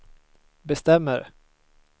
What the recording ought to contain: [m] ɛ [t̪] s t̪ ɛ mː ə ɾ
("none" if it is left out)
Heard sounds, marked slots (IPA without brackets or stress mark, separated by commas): b, none